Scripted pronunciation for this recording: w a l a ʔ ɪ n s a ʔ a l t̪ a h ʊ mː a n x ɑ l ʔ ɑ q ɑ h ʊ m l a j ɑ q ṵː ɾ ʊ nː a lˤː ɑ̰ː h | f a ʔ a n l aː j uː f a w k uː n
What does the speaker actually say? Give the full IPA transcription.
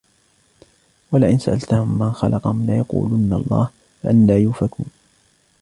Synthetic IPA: w a l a ʔ ɪ n s a ʔ a l t̪ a h ʊ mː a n x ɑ l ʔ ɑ q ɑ h ʊ m l a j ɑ q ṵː l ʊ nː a lˤː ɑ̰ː h | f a ʔ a n l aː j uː f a k uː n